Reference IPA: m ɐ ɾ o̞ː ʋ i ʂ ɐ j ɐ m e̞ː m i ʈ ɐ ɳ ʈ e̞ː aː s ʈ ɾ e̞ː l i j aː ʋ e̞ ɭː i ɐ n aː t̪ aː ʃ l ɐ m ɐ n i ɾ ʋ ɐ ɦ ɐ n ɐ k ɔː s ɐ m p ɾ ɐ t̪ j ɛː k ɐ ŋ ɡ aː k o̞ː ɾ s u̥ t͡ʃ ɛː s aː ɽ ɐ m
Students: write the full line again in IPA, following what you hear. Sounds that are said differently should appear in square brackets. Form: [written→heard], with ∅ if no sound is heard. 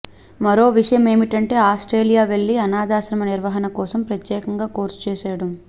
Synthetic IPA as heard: m ɐ ɾ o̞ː ʋ i ʂ ɐ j ɐ m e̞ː m i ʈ ɐ ɳ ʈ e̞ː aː s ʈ ɾ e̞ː l i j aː ʋ e̞ ɭː i ɐ n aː [t̪→d̪] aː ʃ [l→ɾ] ɐ m ɐ n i ɾ ʋ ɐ ɦ ɐ n ɐ k ɔː s ɐ m p ɾ ɐ t̪ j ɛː k ɐ ŋ ɡ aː k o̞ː ɾ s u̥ t͡ʃ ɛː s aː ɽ ɐ m